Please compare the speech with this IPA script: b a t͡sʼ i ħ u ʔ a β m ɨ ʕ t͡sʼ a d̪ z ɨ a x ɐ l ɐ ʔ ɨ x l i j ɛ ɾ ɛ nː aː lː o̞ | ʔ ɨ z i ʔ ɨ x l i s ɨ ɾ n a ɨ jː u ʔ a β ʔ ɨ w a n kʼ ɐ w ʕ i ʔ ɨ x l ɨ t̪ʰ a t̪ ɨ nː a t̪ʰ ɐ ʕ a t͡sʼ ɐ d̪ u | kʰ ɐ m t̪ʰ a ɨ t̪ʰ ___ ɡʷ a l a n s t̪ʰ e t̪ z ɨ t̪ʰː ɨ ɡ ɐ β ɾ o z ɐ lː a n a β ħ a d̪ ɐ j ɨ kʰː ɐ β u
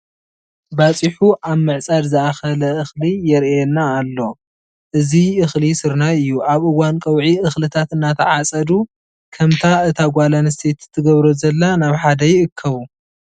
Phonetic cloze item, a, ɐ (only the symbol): a